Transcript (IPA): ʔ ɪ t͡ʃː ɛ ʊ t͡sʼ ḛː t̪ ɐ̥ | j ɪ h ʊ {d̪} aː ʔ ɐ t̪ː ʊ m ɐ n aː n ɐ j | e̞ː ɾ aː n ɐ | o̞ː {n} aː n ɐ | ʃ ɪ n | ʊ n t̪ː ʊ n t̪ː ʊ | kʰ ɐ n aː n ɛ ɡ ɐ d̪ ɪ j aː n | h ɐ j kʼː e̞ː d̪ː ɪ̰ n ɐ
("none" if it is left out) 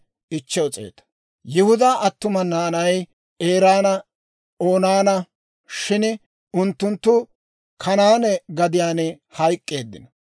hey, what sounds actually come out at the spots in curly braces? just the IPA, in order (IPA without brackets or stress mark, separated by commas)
d̪, n